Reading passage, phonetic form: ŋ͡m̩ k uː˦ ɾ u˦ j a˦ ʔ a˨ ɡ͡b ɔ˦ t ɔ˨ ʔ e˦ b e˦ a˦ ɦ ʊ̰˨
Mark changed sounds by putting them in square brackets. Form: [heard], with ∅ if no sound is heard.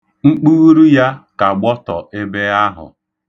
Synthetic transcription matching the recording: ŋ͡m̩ [k͡p] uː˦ ɾ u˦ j a˦ [k] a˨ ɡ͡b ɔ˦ t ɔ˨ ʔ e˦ b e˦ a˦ ɦ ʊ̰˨

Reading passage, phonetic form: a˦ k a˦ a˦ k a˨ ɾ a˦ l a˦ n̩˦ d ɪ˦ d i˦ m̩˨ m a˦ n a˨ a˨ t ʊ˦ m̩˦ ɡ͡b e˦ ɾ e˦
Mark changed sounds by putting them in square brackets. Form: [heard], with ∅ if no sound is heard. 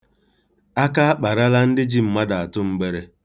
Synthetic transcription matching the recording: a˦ k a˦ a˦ [k͡p] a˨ ɾ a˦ l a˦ n̩˦ d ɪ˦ [d͡ʒ] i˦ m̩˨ m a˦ [d] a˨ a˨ t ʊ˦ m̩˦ ɡ͡b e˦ ɾ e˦

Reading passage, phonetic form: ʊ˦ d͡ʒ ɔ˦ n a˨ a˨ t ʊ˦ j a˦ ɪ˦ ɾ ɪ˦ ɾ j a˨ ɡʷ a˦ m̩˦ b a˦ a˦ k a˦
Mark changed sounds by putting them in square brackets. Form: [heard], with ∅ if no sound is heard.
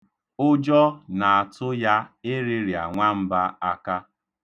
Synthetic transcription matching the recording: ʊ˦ d͡ʒ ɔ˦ n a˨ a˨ t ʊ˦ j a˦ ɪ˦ ɾ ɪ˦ ɾ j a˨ [ŋʷ] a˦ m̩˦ b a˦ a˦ k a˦

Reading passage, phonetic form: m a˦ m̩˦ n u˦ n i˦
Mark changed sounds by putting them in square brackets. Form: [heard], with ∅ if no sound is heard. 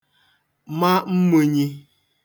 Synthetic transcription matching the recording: m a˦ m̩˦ [m] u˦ [ɲ] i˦

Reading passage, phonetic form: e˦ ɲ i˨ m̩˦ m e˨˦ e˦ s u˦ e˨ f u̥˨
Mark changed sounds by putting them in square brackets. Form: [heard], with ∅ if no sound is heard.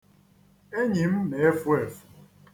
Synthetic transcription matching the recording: e˦ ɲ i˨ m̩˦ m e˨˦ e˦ [f] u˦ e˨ f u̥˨

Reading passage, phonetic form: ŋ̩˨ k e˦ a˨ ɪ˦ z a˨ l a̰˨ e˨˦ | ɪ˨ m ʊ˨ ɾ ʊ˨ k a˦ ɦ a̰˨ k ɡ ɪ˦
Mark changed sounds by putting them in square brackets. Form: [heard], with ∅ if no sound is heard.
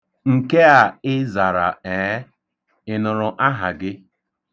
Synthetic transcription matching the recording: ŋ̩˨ k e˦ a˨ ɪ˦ z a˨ [ɾ] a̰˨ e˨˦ | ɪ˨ [n] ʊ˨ ɾ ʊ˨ [ʔ] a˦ ɦ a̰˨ [∅] ɡ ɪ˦

